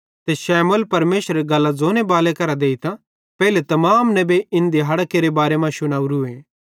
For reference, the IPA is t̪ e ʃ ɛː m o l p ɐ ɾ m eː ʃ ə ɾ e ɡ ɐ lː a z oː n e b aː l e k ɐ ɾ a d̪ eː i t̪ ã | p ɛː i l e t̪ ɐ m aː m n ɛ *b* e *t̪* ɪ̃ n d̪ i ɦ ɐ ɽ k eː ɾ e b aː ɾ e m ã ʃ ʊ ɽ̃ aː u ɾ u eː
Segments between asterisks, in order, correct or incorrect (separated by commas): correct, incorrect